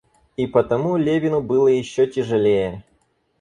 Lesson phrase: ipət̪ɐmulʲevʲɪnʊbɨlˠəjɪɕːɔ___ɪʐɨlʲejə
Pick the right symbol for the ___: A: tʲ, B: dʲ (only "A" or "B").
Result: A